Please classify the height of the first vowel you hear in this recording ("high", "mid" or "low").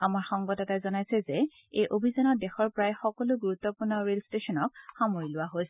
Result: low